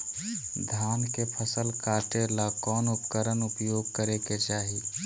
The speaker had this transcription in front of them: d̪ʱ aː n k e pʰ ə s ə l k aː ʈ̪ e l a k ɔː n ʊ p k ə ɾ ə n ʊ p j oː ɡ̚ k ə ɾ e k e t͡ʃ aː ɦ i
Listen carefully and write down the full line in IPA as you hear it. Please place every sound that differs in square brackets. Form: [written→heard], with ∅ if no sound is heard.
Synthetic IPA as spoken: d̪ʱ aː n k e pʰ ə s ə l k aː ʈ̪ e l a k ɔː n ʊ p k ə ɾ ə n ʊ p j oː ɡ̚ k ə ɾ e k e t͡ʃ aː ɦ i